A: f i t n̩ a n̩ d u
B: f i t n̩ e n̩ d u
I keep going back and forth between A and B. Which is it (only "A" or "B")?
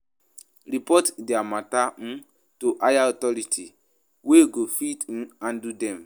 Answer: A